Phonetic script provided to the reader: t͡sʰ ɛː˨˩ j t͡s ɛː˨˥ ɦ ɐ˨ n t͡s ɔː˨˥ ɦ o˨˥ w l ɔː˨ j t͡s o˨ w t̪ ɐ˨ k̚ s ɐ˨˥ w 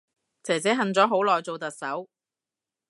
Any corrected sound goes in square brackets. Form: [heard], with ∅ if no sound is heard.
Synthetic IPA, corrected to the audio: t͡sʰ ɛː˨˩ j t͡s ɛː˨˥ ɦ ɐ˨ n t͡s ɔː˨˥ ɦ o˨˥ w l ɔː˨ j t͡s o˨ w t̪ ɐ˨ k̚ s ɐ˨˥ w